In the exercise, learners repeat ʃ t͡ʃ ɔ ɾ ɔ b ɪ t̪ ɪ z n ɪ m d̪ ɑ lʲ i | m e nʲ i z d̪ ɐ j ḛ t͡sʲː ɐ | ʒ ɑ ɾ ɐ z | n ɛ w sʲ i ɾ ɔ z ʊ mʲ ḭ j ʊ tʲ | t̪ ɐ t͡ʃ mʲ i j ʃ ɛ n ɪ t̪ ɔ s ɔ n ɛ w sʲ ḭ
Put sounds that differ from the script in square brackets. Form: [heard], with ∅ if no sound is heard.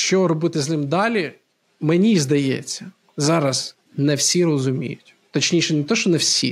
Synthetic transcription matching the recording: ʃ t͡ʃ ɔ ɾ ɔ b ɪ t̪ ɪ z n ɪ m d̪ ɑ lʲ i | m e nʲ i z d̪ ɐ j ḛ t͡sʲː ɐ | [z] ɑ ɾ ɐ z | n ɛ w sʲ i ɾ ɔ z ʊ mʲ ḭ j ʊ tʲ | t̪ ɐ t͡ʃ [nʲ] i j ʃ ɛ n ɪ t̪ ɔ [ʃ] ɔ n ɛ w sʲ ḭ